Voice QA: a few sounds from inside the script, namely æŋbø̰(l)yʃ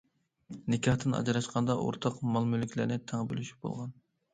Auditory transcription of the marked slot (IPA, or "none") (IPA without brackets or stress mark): l